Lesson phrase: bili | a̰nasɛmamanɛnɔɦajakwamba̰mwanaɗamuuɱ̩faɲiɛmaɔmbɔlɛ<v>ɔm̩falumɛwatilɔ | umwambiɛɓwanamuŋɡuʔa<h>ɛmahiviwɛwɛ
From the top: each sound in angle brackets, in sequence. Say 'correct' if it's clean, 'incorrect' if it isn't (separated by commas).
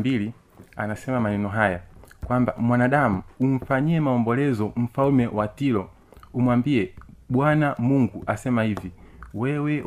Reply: incorrect, incorrect